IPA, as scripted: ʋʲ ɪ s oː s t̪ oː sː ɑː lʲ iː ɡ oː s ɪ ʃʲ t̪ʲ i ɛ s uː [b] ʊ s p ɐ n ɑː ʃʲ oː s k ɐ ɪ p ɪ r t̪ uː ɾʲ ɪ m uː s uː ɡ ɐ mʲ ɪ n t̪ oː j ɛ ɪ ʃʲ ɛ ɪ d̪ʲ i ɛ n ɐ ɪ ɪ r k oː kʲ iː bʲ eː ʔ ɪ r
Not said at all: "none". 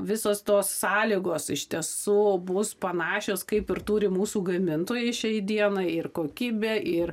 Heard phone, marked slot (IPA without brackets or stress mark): b